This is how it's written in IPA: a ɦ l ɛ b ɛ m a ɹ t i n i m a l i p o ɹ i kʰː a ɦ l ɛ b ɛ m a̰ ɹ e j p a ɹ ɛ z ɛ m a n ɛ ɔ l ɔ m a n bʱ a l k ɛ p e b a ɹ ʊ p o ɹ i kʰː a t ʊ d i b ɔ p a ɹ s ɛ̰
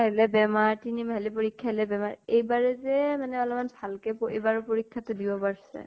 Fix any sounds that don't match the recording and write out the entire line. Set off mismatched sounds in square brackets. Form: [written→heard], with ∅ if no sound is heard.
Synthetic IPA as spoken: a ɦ l ɛ b ɛ m a ɹ t i n i m a l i p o ɹ i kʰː a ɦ l ɛ b ɛ m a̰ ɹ e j [p→b] a ɹ ɛ z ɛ m a n ɛ ɔ l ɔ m a n bʱ a l k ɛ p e b a ɹ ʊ p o ɹ i kʰː a t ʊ d i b ɔ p a ɹ s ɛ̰